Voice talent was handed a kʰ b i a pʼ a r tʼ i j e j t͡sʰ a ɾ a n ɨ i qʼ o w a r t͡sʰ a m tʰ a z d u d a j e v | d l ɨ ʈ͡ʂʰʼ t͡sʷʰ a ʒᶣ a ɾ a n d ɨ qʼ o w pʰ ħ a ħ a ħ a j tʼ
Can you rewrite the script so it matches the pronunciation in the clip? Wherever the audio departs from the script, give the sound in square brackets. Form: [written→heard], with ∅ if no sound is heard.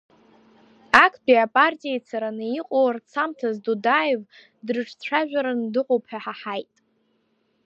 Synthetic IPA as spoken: a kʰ b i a pʼ a r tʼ i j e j t͡sʰ a ɾ a n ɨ i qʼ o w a r t͡sʰ a m tʰ a z d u d a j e v | d [l→r] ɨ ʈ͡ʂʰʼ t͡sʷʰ a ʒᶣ a ɾ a n d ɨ qʼ o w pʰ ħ a ħ a ħ a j tʼ

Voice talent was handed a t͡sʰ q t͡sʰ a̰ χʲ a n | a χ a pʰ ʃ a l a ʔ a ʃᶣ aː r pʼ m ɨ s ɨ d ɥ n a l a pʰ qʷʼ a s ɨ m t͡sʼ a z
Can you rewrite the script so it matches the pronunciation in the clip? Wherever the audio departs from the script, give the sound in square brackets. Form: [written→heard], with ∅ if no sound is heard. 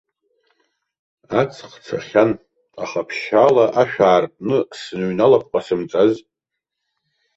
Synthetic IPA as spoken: a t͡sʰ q t͡sʰ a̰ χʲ a n | a χ a pʰ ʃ a l a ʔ a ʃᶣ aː r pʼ [m→n] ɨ s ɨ [d→n] ɥ n a l a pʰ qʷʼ a s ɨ m t͡sʼ a z

